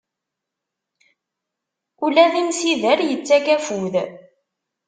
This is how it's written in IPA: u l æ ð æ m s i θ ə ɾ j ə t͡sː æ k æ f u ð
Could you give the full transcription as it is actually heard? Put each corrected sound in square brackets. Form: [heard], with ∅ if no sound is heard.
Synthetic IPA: u l æ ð [i] m s i [ð] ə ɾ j ə t͡sː æ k æ f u ð